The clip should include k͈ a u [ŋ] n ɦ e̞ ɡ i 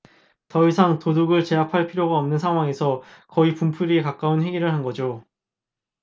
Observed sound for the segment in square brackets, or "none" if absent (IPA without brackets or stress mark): none